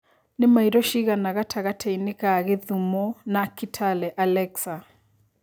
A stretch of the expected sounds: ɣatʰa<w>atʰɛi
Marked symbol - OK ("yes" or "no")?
no